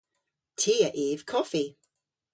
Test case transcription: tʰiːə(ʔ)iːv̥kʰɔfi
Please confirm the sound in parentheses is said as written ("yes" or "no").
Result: yes